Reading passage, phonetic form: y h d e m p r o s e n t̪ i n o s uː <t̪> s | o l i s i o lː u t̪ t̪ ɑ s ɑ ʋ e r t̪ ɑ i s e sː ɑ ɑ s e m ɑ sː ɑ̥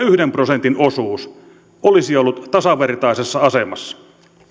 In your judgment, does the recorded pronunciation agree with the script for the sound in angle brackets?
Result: no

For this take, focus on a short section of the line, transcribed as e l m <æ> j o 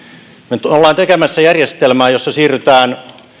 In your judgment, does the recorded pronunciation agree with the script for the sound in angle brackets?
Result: no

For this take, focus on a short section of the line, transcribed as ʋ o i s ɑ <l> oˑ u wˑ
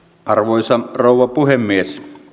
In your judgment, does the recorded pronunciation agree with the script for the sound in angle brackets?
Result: no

